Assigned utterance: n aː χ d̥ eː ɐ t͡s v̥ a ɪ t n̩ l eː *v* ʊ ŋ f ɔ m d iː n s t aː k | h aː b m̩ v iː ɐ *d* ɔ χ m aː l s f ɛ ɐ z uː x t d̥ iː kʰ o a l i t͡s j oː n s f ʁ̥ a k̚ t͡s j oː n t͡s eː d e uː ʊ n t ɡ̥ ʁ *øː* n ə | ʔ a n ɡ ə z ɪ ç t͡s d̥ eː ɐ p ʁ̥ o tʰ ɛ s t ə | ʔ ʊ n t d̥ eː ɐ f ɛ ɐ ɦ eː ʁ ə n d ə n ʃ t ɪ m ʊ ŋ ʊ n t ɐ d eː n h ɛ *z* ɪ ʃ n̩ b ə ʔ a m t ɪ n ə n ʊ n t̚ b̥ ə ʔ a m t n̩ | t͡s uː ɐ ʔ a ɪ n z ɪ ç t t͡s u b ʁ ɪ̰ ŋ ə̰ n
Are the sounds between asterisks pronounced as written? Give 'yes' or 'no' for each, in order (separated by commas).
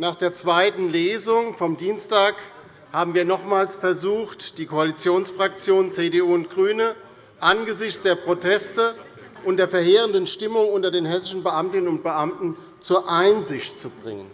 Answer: no, no, no, no